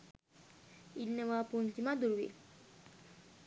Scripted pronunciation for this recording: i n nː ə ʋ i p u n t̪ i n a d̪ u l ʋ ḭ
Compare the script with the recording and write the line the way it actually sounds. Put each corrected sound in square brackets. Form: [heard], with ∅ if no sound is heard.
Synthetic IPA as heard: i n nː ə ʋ [a] p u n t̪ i [m] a d̪ u [ɾ] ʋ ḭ